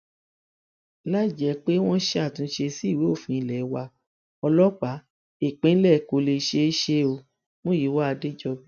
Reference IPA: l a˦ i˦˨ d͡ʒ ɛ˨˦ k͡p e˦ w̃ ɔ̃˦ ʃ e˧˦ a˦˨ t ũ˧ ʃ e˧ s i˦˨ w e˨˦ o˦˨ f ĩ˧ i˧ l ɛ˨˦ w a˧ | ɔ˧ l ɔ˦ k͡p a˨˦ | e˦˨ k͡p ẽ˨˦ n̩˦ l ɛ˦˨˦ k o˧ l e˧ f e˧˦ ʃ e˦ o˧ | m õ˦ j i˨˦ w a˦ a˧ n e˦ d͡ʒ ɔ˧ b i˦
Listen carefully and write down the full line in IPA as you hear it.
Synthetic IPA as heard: l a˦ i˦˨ d͡ʒ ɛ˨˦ k͡p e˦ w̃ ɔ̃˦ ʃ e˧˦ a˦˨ t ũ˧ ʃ e˧ s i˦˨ w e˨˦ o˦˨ f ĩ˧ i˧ l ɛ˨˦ w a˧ | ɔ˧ l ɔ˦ k͡p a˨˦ | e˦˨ k͡p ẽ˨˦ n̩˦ l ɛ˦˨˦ k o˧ l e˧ ʃ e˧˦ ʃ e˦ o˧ | m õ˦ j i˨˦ w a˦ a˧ d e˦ d͡ʒ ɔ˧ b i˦

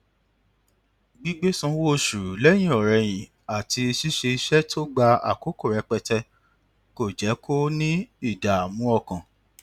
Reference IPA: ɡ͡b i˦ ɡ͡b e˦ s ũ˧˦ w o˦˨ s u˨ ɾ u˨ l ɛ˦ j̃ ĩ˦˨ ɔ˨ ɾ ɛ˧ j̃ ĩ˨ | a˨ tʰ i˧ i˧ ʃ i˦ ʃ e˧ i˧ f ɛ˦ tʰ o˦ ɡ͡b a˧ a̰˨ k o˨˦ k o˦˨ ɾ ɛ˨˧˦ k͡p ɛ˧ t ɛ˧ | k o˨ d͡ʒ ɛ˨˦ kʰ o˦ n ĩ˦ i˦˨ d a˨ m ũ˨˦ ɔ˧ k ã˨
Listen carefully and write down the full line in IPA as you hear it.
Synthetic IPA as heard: ɡ͡b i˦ ɡ͡b e˦ s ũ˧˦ w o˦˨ ʃ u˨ ɾ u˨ l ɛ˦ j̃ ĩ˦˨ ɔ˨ ɾ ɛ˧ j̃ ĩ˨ | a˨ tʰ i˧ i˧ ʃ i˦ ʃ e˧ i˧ ʃ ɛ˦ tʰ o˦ ɡ͡b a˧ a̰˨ k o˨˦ k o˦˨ ɾ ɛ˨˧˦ k͡p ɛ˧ t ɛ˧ | k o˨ d͡ʒ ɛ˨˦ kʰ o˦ n ĩ˦ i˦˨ d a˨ m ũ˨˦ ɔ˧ k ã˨

